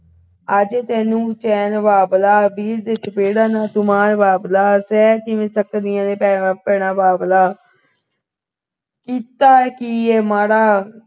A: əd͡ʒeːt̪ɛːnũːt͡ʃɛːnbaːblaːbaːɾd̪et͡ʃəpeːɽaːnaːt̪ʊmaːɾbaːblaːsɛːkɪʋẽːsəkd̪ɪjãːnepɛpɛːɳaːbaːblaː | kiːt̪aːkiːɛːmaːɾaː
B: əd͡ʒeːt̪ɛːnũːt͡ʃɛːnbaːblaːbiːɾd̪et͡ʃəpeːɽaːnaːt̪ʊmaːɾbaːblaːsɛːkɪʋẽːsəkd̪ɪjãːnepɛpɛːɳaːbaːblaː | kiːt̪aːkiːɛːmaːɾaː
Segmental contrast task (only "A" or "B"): B